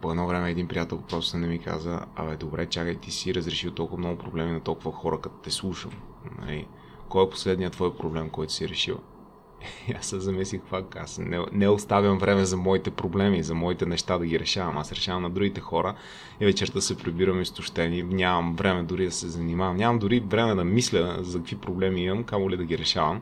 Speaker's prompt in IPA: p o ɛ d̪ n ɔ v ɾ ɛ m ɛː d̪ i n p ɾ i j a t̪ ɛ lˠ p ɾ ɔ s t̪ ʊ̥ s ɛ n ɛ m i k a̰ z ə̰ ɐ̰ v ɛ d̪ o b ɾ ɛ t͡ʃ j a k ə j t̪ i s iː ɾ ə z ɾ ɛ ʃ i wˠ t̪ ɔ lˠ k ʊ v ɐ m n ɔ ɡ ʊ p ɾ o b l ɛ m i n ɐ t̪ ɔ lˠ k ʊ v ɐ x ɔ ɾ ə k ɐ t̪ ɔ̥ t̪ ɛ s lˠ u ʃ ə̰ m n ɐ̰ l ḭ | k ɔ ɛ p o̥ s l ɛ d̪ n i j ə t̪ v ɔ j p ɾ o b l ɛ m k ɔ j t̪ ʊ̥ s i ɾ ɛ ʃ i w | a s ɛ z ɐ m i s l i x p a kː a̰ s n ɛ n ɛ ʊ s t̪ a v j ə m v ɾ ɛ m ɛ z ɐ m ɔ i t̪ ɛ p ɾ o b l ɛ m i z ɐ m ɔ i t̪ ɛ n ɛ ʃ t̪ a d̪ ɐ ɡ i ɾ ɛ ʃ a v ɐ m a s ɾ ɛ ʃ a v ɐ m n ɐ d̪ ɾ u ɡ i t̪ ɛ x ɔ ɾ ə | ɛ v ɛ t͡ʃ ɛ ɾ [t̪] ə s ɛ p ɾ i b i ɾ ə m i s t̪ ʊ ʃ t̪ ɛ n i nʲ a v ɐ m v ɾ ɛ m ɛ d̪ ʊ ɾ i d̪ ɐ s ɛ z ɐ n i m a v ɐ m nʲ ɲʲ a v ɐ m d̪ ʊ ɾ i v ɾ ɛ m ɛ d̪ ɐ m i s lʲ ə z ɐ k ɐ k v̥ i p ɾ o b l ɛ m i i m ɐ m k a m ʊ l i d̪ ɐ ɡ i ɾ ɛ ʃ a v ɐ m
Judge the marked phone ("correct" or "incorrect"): correct